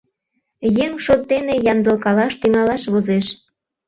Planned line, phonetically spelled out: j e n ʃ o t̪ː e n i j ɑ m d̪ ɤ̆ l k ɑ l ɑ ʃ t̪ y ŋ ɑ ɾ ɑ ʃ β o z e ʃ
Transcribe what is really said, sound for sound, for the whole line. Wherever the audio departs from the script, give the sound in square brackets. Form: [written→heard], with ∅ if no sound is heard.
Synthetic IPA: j e [n→ŋ] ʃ o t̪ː e n [i→e] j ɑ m d̪ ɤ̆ l k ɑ l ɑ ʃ t̪ y ŋ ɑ [ɾ→l] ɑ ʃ β o z e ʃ